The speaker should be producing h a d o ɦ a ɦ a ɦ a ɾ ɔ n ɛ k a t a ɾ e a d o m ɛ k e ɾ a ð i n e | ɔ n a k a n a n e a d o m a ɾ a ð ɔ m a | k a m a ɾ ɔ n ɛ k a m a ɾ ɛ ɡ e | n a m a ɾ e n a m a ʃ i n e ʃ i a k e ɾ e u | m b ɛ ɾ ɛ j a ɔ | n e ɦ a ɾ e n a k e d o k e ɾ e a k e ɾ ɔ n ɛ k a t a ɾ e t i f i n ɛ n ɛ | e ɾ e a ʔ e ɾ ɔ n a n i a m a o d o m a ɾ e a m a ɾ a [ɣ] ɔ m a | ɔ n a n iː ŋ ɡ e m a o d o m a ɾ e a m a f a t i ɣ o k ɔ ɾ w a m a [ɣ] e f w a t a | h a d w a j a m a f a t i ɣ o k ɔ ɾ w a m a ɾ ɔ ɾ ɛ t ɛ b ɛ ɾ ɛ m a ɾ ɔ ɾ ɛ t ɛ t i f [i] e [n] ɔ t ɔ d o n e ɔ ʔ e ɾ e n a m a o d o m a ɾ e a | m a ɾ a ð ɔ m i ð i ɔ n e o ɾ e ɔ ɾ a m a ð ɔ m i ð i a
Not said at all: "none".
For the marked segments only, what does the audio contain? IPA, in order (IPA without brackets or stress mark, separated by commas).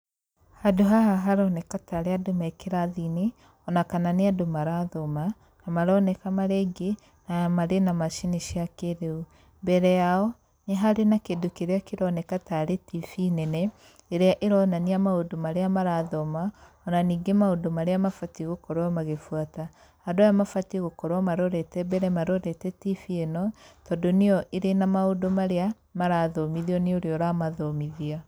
ð, ɣ, i, n